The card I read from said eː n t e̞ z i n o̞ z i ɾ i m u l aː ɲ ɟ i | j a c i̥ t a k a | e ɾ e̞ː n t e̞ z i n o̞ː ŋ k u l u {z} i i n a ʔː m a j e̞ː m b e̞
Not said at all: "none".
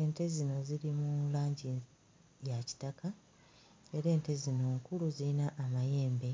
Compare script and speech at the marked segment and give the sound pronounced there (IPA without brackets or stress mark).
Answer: z